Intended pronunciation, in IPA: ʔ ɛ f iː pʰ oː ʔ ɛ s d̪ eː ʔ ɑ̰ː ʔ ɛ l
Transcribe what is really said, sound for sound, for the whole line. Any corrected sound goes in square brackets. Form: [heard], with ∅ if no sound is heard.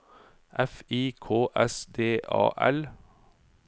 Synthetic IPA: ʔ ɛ f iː [kʰ] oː ʔ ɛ s d̪ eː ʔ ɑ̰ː ʔ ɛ l